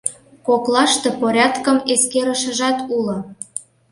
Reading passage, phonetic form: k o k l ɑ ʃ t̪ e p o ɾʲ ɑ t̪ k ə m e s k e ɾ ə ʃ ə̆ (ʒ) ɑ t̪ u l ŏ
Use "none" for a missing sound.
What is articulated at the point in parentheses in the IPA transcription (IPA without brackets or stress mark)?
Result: ʒ